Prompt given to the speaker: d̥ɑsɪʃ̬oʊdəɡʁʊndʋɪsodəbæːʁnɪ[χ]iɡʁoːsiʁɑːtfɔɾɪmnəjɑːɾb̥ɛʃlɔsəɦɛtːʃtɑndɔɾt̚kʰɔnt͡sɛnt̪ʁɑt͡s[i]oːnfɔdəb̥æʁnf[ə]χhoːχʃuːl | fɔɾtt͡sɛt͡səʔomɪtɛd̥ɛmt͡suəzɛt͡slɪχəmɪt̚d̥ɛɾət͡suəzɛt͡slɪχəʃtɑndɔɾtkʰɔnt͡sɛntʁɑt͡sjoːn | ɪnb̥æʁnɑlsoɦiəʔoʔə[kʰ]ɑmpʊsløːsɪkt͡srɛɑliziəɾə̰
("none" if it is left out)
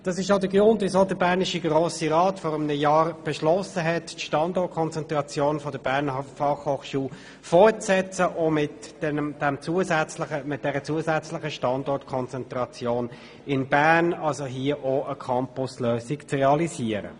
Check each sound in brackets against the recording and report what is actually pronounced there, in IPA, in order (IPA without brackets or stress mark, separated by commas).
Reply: ʃ, j, ɑ, kʰ